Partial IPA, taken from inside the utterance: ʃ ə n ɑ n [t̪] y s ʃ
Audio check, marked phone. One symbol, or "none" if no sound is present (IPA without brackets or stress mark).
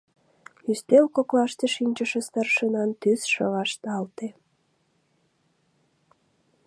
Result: t̪